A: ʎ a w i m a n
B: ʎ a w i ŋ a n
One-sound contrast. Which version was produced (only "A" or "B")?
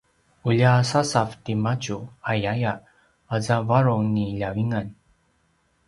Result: B